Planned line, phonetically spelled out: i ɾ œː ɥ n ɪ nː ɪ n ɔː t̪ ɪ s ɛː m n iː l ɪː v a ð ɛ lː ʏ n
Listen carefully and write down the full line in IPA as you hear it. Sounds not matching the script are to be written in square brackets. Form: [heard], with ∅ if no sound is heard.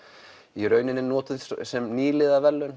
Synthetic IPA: i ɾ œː ɥ n ɪ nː ɪ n ɔː t̪ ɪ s [ɛ] m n iː l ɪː [ð] a [v] ɛ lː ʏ n